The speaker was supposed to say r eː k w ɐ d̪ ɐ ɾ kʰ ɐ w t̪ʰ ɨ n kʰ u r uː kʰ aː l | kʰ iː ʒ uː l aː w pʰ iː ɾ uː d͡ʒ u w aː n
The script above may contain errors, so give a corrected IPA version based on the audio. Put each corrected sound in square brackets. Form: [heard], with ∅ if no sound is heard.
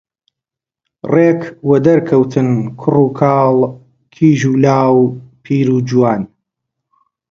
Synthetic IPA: r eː k w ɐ d̪ ɐ ɾ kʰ ɐ w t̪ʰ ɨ n kʰ [ʊ] r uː kʰ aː l | kʰ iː ʒ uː l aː w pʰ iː ɾ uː d͡ʒ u w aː n